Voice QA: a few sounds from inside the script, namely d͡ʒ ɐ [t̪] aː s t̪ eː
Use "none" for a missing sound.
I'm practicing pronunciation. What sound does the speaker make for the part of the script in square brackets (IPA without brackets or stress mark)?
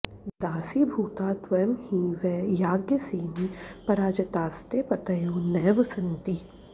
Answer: t̪